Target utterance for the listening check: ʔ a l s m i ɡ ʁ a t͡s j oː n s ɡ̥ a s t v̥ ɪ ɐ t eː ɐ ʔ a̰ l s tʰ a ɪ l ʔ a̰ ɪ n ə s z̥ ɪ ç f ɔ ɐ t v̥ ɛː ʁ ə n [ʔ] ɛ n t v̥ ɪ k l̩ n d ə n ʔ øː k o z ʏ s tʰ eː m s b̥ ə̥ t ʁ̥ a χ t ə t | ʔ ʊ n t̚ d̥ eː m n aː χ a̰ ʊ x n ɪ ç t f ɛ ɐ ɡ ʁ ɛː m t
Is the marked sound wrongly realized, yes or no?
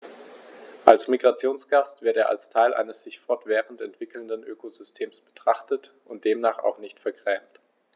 yes